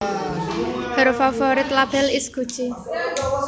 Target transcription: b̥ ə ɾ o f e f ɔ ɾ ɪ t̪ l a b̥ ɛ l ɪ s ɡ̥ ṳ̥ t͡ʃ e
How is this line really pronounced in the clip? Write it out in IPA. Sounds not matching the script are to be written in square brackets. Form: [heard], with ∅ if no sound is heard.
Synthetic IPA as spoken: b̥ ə ɾ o f [a] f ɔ ɾ ɪ t̪ l a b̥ ɛ l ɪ s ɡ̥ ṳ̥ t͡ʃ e